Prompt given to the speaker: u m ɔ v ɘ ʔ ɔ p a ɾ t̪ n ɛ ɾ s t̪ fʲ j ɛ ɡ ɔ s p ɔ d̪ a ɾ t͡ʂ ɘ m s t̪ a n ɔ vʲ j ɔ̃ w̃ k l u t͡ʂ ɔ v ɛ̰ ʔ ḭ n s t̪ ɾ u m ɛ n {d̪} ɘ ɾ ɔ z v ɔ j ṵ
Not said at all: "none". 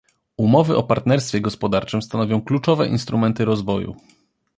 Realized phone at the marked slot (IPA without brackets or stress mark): t̪